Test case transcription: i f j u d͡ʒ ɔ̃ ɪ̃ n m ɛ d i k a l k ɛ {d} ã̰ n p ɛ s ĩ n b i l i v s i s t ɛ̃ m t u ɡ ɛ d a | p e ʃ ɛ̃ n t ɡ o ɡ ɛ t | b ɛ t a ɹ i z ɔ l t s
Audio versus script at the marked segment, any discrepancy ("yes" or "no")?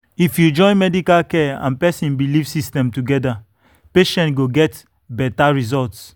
yes